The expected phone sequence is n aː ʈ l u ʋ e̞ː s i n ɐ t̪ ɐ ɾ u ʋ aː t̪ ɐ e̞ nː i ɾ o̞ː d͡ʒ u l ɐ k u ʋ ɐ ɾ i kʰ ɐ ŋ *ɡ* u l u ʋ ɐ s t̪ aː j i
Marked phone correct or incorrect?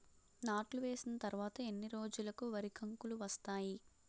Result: incorrect